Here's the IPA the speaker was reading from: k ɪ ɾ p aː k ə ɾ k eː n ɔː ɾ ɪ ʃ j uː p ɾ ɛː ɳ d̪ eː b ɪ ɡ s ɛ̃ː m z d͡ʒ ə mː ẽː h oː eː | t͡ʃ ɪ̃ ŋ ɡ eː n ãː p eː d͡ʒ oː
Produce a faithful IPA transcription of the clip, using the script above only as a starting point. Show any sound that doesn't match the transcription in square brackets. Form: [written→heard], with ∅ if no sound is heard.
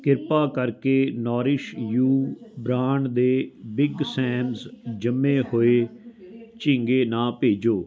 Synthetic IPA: k ɪ ɾ p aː k ə ɾ k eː n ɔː ɾ ɪ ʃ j uː [p→b] ɾ [ɛː→aː] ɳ d̪ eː b ɪ ɡ s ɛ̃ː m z d͡ʒ ə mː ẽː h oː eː | t͡ʃ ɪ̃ ŋ ɡ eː n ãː p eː d͡ʒ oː